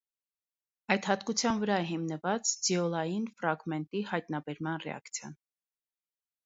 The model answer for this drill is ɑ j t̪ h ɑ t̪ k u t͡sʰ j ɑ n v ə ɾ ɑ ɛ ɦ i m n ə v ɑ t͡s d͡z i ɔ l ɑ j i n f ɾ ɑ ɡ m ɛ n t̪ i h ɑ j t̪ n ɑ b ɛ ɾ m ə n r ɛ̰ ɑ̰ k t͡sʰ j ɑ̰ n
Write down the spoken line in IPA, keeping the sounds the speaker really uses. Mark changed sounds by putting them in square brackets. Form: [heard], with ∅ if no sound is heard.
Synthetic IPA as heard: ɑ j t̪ h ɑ t̪ k u t͡sʰ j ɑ n v ə ɾ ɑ ɛ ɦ i m n ə v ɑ t͡s d͡z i ɔ l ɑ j i n f ɾ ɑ ɡ m ɛ n t̪ i h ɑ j t̪ n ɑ b ɛ ɾ m [ɑ] n r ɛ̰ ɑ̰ k t͡sʰ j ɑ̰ n